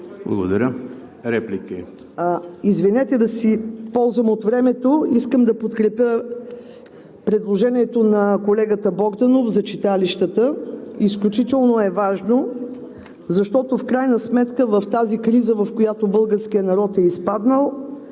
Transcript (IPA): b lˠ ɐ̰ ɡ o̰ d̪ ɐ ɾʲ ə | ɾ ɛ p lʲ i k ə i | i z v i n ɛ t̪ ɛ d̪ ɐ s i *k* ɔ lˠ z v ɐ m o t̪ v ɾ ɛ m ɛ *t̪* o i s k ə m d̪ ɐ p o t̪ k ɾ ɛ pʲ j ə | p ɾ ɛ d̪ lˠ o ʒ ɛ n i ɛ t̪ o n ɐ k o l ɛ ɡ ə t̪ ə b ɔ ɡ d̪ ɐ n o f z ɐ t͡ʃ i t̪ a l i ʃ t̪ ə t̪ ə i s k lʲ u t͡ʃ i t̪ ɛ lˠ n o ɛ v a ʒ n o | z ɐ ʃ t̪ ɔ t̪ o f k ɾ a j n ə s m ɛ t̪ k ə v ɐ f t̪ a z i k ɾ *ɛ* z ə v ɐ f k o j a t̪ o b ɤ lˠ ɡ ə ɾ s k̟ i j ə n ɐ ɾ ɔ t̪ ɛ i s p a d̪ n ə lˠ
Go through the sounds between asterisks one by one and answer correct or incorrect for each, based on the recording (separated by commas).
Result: incorrect, correct, incorrect